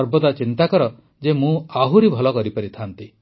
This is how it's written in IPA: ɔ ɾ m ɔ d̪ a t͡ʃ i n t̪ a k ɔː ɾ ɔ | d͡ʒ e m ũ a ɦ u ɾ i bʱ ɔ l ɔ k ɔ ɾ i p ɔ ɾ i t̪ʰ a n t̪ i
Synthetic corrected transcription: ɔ ɾ b ɔ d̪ a t͡ʃ i n t̪ a k ɔ ɾ ɔ | d͡ʒ e m ũ a ɦ u ɾ i bʱ ɔ l ɔ k ɔ ɾ i p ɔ ɾ i t̪ʰ a n t̪ i